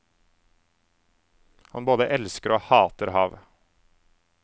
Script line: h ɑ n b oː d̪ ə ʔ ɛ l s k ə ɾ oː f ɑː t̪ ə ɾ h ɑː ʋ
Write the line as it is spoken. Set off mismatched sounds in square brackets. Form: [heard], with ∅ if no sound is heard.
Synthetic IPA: h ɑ n b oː d̪ ə ʔ ɛ l s k ə ɾ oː [h] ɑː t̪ ə ɾ h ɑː ʋ